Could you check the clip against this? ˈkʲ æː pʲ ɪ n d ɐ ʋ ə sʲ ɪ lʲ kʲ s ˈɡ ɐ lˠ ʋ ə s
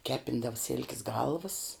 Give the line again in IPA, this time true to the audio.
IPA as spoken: ˈkʲ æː pʲ ɪ n d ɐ ʋ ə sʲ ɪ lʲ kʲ s ˈɡ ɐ lˠ ʋ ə s

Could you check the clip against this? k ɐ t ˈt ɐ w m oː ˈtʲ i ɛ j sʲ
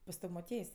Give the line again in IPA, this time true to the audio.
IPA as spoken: p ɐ s ˈt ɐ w m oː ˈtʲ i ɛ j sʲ

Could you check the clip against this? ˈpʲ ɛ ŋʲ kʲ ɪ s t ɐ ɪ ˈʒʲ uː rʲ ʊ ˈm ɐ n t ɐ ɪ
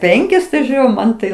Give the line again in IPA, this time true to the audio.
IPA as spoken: ˈpʲ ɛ ŋʲ kʲ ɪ s t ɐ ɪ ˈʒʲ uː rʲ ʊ ˈm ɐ n t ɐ ɪ

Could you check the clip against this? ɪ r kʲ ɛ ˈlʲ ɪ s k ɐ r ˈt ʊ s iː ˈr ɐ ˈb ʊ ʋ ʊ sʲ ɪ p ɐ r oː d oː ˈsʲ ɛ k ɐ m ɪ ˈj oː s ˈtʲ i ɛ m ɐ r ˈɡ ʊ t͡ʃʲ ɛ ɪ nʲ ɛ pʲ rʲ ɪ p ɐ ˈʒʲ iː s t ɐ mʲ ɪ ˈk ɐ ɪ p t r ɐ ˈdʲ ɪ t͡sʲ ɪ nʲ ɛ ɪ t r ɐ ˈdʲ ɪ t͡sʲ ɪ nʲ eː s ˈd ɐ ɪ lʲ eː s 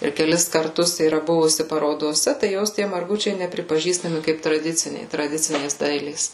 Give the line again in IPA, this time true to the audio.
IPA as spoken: ɪ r kʲ ɛ ˈlʲ ɪ s k ɐ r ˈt ʊ s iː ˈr ɐ ˈb ʊ ʋ ʊ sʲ ɪ p ɐ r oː d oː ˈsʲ ɛ t ɐ ɪ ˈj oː s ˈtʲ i ɛ m ɐ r ˈɡ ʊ t͡ʃʲ ɛ ɪ nʲ ɛ pʲ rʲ ɪ p ɐ ˈʒʲ iː s t ɐ mʲ ɪ ˈk ɐ ɪ p t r ɐ ˈdʲ ɪ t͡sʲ ɪ nʲ ɛ ɪ t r ɐ ˈdʲ ɪ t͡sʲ ɪ nʲ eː s ˈd ɐ ɪ lʲ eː s

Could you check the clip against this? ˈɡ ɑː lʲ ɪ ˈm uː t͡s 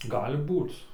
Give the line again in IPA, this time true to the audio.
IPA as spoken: ˈɡ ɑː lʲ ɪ ˈb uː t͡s

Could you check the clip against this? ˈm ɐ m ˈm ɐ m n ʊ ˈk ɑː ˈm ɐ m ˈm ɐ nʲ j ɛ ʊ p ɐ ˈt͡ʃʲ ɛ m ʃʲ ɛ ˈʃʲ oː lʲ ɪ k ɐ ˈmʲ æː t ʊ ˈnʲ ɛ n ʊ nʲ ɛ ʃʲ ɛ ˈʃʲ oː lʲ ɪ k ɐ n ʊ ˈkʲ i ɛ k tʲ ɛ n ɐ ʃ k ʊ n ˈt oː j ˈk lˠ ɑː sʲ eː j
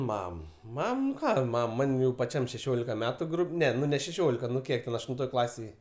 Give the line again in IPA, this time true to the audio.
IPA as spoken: ˈm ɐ m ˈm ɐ m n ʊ ˈk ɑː ˈm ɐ m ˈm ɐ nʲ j ɛ ʊ p ɐ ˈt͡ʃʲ ɛ m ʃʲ ɛ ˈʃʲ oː lʲ ɪ k ɐ ˈmʲ æː t ʊ ˈnʲ ɛ n ʊ nʲ ɛ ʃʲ ɛ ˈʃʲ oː lʲ ɪ k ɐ n ʊ ˈkʲ i ɛ k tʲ ɛ n ɐ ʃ t ʊ n ˈt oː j ˈk lˠ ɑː sʲ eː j

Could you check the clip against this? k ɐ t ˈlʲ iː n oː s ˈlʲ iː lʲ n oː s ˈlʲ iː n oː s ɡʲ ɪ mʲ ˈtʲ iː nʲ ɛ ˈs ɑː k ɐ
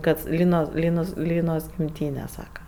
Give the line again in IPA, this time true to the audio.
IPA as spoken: k ɐ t ˈlʲ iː n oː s ˈlʲ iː n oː s ˈlʲ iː n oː s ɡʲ ɪ mʲ ˈtʲ iː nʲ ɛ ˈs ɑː k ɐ

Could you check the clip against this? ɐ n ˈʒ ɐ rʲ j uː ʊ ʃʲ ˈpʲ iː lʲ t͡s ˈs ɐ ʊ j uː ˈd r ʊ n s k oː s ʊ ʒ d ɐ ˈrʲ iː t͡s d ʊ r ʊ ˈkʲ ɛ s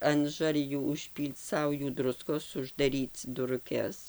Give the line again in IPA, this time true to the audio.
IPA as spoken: ɐ n ˈʒ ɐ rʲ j uː ʊ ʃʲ ˈpʲ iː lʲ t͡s ˈs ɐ ʊ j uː ˈd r ʊ s k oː s ʊ ʒ d ɐ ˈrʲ iː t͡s d ʊ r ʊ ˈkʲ ɛ s

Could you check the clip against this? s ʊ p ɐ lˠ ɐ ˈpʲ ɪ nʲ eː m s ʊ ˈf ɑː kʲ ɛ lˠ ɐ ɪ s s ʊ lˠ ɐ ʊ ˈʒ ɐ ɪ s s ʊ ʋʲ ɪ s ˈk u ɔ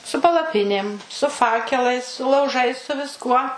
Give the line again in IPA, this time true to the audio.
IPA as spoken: s ʊ p ɐ lˠ ɐ ˈpʲ ɪ nʲ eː m s ʊ ˈf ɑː kʲ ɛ lˠ ɐ ɪ s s ʊ lˠ ɐ ʊ ˈʒ ɐ ɪ s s ʊ ʋʲ ɪ s ˈk u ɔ

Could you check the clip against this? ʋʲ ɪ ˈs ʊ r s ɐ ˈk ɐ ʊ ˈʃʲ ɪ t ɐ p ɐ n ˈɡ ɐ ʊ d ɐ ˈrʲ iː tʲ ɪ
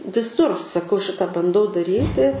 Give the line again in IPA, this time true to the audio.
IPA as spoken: ʋʲ ɪ ˈs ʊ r s ɐ ˈk ɐ ʊ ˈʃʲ ɪ t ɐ b ɐ n ˈd ɐ ʊ d ɐ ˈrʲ iː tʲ ɪ

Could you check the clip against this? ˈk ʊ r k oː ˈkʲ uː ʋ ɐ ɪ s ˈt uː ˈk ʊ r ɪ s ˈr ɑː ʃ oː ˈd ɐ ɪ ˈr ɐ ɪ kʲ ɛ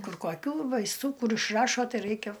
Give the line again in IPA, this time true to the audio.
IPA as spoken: ˈk ʊ r k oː ˈkʲ uː ʋ ɐ ɪ s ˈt uː ˈk ʊ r ɪ ʃ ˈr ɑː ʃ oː ˈt ɐ ɪ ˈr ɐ ɪ kʲ ɛ

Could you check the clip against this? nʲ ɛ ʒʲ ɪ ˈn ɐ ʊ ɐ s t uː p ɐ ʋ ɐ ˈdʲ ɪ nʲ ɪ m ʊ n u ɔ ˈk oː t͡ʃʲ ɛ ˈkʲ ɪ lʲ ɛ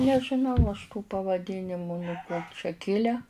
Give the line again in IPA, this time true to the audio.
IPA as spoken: nʲ ɛ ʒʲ ɪ ˈn ɐ ʊ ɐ ʃ t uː p ɐ ʋ ɐ ˈdʲ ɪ nʲ ɪ m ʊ n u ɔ ˈk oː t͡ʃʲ ɛ ˈkʲ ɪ lʲ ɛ

